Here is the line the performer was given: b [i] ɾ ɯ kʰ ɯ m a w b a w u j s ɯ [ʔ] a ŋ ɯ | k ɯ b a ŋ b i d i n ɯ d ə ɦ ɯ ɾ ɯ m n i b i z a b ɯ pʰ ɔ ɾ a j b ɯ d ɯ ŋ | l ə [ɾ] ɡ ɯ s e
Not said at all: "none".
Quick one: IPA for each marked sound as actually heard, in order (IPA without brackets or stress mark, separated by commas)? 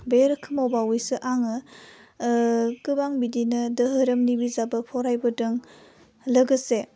e, ʔ, none